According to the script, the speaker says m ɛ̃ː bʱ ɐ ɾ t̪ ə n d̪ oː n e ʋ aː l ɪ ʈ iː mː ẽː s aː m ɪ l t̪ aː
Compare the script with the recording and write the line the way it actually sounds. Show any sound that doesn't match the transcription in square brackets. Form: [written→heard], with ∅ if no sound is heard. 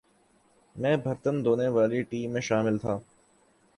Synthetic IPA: m ɛ̃ː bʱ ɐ ɾ t̪ ə n d̪ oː n e ʋ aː l [ɪ→i] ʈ iː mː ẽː [s→ʃ] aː m ɪ l [t̪→t̪ʰ] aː